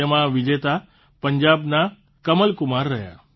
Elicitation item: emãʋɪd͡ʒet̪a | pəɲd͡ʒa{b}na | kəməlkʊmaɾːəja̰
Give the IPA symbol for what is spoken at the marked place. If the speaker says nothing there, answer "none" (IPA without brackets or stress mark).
b